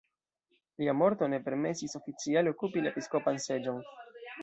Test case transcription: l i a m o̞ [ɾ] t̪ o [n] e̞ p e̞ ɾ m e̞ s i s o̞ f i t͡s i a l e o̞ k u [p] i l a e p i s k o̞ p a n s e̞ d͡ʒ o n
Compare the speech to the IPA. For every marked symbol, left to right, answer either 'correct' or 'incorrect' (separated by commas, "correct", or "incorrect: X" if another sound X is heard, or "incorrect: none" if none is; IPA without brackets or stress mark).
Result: correct, correct, correct